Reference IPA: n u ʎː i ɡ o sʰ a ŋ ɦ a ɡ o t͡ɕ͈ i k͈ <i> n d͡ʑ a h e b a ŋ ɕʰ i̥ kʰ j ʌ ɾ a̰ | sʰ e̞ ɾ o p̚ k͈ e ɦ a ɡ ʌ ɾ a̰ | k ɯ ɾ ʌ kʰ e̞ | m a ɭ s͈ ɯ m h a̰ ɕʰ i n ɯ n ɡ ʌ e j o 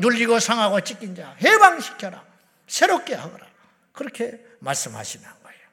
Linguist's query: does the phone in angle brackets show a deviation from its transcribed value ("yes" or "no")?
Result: no